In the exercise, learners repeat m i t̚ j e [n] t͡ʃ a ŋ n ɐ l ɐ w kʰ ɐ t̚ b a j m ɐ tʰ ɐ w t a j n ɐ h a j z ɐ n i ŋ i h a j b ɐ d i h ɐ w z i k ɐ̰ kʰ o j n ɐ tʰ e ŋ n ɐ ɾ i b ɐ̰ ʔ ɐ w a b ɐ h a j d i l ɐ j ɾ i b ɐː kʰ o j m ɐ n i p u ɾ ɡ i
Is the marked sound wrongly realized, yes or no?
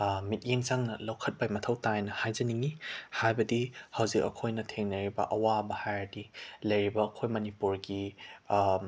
yes